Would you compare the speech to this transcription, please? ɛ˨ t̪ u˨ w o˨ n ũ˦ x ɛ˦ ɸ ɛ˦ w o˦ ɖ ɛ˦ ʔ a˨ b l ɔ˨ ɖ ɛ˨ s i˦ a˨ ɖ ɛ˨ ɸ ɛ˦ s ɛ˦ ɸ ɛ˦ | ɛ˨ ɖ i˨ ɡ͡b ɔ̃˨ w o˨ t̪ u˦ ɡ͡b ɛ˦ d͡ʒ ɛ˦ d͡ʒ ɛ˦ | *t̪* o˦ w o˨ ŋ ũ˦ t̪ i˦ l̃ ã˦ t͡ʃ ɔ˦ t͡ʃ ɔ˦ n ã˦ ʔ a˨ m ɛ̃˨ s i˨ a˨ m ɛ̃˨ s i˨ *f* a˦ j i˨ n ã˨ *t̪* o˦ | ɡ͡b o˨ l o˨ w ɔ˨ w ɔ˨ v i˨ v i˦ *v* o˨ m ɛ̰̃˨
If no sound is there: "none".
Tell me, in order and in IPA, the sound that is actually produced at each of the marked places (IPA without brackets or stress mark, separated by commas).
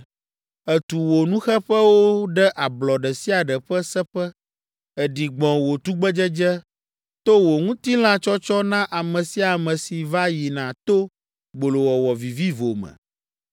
t̪, v, t̪, v